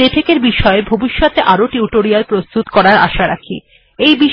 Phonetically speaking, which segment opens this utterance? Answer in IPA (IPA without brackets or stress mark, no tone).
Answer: e